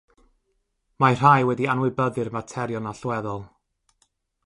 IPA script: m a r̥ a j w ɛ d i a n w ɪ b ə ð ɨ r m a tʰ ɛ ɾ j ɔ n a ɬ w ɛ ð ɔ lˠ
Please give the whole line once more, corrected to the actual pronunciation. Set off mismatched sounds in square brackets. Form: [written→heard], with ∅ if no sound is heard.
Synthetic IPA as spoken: m a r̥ a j w ɛ d i a n w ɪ b ə ð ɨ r m a tʰ ɛ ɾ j ɔ n a ɬ w ɛ ð ɔ lˠ